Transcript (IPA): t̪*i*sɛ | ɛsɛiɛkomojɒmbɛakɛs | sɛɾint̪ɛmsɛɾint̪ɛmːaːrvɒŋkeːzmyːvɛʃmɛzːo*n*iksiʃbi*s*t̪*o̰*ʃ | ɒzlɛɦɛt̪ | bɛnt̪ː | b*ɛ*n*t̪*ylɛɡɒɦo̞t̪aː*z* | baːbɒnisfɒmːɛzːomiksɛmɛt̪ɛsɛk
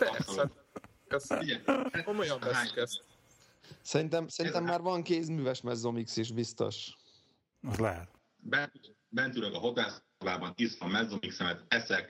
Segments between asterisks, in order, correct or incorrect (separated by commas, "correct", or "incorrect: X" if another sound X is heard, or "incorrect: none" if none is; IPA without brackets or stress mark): incorrect: ɛ, incorrect: m, correct, correct, correct, correct, incorrect: s